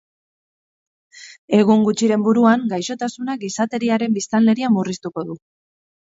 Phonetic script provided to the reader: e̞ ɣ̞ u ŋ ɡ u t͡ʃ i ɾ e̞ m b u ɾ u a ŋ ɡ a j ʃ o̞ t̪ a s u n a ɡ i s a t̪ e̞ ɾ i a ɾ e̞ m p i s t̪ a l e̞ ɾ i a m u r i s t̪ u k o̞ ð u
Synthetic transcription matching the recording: e̞ ɣ̞ u ŋ ɡ u t͡ʃ i ɾ e̞ m b u ɾ u a ŋ ɡ a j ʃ o̞ t̪ a s u n a ɡ i s a t̪ e̞ ɾ i a ɾ e̞ m b i s t̪ a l e̞ ɾ i a m u r i s t̪ u k o̞ ð u